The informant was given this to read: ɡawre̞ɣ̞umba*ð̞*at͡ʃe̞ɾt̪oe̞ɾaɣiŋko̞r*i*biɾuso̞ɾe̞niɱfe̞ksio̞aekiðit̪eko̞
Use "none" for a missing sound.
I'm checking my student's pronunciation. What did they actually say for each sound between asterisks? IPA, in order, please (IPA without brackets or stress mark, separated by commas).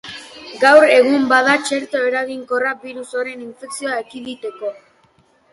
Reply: ð̞, a